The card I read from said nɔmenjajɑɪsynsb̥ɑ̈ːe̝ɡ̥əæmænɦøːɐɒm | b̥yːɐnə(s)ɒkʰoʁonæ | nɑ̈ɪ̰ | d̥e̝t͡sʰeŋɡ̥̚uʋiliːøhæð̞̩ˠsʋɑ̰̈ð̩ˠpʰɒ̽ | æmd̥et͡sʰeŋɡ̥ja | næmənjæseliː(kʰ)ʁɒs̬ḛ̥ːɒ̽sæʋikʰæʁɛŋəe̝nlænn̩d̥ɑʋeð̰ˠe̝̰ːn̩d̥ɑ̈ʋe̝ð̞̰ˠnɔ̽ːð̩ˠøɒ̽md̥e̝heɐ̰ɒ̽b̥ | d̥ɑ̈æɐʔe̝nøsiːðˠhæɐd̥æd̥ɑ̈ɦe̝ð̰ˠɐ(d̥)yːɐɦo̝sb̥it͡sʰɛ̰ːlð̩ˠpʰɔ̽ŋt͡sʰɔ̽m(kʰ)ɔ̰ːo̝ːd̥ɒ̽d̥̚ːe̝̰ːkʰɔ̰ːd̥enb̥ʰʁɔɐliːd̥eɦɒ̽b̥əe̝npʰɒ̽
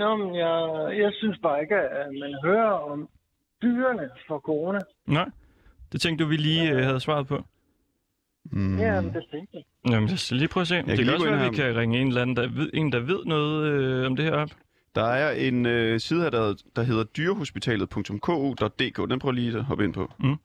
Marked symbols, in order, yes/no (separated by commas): no, no, yes, yes